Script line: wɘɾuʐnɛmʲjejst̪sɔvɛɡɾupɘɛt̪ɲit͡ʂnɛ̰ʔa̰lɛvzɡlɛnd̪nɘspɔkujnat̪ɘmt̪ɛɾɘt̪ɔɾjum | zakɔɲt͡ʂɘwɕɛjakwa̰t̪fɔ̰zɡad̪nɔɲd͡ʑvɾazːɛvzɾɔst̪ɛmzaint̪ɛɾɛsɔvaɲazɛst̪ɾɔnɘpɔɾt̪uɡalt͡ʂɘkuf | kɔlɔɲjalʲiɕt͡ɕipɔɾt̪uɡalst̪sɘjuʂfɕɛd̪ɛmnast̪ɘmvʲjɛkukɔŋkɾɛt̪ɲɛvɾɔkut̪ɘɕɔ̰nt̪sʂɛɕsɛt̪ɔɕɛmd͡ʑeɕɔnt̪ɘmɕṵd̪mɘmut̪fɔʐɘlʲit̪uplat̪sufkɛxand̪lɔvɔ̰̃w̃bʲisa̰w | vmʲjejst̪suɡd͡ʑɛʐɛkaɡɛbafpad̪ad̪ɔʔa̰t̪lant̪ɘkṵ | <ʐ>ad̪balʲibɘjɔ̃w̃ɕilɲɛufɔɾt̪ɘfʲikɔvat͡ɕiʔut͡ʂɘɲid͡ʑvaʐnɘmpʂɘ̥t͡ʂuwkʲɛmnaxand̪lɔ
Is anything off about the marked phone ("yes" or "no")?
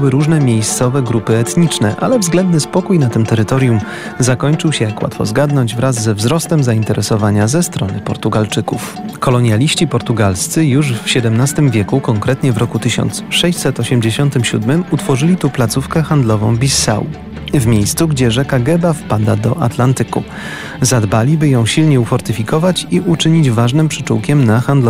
yes